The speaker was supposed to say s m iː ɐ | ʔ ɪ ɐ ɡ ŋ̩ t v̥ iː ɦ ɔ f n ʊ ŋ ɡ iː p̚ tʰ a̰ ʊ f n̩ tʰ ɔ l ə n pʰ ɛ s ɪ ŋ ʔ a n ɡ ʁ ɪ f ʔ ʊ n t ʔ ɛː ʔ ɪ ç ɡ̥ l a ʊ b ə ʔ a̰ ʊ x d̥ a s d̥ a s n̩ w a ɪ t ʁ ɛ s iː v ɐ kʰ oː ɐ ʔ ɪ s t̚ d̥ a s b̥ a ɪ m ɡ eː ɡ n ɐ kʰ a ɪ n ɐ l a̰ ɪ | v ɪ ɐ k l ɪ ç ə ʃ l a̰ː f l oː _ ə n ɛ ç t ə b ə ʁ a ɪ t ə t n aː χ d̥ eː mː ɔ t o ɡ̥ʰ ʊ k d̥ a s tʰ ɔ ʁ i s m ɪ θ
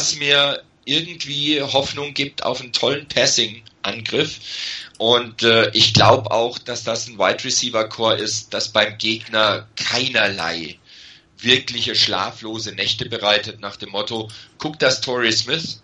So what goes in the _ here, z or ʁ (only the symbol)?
z